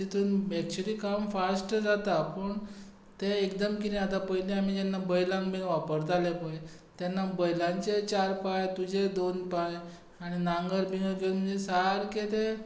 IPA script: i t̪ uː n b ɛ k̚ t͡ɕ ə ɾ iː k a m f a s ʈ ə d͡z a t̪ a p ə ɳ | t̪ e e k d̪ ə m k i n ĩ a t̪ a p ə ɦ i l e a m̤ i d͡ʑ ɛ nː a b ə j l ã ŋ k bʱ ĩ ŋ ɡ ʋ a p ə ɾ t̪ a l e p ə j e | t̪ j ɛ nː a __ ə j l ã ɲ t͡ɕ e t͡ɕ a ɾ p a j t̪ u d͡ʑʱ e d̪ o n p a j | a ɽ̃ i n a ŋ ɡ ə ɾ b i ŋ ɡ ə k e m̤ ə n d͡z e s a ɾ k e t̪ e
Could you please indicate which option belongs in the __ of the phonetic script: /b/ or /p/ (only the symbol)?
b